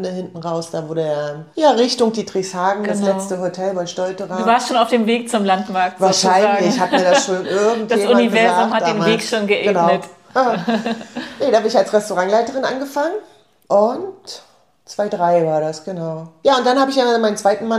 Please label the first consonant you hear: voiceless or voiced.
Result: voiced